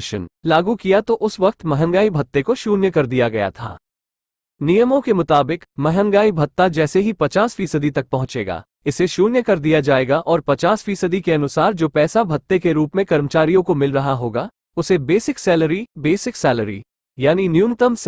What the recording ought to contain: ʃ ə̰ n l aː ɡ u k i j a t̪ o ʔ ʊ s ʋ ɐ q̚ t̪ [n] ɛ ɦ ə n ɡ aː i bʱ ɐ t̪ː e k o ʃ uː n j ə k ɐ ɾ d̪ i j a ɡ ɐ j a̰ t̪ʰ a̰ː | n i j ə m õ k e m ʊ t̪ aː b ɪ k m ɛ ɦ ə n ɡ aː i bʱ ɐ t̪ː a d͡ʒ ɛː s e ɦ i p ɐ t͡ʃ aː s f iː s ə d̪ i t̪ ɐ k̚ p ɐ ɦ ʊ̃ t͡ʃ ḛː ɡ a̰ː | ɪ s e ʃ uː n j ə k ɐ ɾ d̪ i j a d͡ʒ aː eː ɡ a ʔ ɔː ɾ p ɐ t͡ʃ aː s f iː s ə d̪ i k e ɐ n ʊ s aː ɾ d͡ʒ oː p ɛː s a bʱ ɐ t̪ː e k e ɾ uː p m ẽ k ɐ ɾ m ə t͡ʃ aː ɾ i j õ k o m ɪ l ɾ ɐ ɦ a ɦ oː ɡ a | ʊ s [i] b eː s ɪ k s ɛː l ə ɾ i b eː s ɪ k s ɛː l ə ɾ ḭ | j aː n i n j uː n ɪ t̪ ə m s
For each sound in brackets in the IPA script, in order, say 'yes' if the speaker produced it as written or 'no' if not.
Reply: no, no

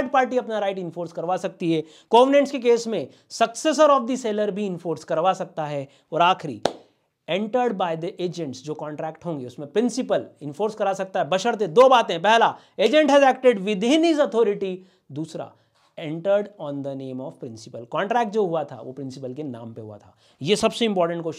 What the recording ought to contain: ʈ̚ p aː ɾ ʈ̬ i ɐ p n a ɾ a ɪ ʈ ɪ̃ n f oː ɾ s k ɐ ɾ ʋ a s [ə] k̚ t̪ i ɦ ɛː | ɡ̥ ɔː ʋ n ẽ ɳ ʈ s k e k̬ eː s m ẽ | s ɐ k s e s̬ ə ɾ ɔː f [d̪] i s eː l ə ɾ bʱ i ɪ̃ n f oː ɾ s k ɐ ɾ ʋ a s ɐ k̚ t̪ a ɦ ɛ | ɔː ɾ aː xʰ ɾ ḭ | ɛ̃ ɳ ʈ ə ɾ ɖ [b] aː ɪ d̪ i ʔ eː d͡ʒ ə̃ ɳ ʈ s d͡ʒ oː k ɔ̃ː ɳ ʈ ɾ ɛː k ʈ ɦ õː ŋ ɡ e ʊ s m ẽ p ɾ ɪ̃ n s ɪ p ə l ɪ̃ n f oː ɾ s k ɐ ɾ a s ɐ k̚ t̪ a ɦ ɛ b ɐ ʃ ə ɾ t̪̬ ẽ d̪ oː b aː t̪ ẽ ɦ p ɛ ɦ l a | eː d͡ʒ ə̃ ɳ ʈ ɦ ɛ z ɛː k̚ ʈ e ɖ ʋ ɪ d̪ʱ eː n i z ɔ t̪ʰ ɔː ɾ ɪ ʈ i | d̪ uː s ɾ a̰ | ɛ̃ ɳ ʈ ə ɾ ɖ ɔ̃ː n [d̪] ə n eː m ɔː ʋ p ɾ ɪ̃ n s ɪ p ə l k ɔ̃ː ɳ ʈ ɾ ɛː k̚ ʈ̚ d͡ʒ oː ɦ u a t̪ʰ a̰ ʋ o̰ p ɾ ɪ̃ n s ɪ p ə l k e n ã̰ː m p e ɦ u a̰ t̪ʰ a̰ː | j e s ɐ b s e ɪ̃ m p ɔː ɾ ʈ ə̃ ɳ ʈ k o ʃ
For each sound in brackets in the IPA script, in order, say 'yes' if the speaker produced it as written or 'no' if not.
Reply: no, yes, yes, yes

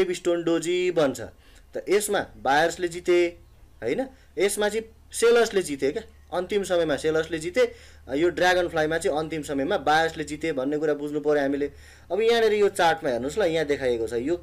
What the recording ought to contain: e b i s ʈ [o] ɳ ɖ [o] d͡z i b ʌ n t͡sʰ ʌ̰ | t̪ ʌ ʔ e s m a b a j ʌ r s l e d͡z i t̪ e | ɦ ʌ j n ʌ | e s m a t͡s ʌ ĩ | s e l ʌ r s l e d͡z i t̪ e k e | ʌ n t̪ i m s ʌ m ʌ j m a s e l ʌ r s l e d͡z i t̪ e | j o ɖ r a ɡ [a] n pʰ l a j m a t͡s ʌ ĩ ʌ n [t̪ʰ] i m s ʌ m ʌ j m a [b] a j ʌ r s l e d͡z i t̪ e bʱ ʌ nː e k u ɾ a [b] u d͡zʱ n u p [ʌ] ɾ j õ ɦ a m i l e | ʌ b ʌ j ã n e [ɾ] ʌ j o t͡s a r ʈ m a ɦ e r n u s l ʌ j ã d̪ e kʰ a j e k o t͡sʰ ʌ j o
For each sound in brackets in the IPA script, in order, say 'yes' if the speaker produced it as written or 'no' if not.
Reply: yes, yes, no, no, yes, yes, yes, yes

